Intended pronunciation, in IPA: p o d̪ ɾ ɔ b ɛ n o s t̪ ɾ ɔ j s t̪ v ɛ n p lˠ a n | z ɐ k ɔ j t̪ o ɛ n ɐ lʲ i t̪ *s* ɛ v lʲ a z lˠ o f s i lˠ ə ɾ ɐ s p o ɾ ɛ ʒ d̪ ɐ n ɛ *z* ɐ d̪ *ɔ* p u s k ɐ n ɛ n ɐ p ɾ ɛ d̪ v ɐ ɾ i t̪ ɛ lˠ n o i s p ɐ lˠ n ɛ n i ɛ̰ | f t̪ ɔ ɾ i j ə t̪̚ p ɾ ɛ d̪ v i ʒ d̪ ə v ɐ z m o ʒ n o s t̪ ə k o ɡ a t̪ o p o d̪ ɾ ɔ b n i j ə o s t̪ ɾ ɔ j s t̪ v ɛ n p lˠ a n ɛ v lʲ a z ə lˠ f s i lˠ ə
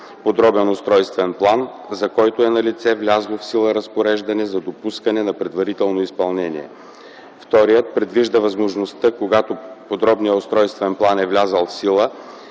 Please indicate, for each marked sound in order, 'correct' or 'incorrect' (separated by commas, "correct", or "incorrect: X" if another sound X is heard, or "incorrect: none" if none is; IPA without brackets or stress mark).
correct, correct, incorrect: o